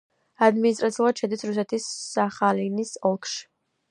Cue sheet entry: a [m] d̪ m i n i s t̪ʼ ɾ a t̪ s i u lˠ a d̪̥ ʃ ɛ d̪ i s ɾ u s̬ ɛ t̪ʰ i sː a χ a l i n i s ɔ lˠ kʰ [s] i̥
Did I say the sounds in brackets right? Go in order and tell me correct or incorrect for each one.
incorrect, incorrect

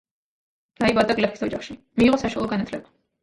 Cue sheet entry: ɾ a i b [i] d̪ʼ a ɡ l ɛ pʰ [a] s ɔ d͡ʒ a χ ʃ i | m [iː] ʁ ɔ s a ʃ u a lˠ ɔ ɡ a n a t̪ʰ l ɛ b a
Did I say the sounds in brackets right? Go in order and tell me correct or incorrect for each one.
incorrect, incorrect, correct

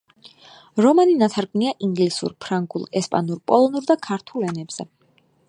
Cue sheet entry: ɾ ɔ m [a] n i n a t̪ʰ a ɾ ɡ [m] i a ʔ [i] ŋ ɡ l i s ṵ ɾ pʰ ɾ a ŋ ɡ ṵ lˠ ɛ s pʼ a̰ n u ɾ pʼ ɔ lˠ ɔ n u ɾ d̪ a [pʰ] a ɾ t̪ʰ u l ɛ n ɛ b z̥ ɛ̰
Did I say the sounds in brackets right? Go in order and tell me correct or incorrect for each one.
correct, incorrect, correct, incorrect

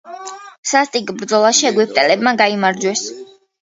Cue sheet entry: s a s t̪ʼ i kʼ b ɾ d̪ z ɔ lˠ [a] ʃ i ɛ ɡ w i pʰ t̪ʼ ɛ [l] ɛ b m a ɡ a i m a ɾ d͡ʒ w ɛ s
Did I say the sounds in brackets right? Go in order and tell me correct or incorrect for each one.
correct, correct

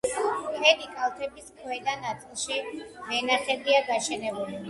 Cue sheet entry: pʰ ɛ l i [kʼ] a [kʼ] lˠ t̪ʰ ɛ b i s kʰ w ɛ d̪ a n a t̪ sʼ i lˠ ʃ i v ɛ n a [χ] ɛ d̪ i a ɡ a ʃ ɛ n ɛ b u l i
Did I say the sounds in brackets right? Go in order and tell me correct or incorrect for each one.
correct, incorrect, correct

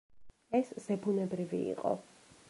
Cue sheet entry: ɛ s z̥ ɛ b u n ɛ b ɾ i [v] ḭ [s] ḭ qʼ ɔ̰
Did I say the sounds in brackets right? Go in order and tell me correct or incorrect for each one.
correct, incorrect

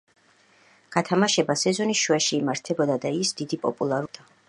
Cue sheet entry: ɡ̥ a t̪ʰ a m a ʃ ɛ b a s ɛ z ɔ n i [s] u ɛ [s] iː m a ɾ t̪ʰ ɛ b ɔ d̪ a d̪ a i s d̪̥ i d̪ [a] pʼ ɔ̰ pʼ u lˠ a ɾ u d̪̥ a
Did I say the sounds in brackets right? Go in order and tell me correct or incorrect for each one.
incorrect, incorrect, incorrect

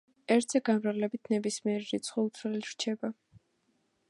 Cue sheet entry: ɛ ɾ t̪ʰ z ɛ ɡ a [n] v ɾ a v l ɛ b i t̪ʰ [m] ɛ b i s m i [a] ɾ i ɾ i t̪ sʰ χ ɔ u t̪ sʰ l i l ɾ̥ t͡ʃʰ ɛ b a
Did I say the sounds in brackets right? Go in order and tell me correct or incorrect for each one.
correct, incorrect, incorrect

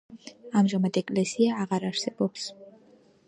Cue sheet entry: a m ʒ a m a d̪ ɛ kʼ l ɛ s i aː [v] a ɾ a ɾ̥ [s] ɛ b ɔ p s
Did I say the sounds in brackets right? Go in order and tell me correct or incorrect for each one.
incorrect, correct

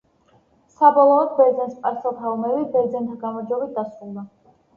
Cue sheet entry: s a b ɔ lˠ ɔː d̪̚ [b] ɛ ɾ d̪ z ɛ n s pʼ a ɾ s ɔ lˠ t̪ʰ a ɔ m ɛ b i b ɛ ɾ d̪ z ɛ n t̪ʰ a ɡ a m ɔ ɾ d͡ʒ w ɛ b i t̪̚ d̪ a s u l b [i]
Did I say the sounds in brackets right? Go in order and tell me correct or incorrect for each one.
correct, incorrect

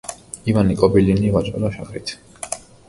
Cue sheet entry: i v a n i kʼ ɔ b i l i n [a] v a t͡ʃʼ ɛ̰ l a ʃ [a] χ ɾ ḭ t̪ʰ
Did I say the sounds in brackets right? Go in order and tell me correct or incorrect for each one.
incorrect, correct

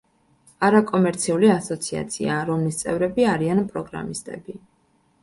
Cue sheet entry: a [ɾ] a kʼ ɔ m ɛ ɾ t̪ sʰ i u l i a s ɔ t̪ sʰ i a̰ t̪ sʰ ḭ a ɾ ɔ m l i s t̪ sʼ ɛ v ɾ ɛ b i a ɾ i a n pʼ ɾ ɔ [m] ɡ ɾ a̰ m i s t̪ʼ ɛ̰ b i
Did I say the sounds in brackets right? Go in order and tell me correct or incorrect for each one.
correct, incorrect

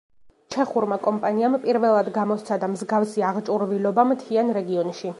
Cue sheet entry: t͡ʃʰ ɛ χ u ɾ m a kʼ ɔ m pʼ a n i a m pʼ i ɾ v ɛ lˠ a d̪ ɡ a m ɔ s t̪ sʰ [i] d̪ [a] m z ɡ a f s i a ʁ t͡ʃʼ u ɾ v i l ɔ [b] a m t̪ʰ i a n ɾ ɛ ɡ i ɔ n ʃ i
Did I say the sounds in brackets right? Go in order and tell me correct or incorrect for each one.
incorrect, correct, correct

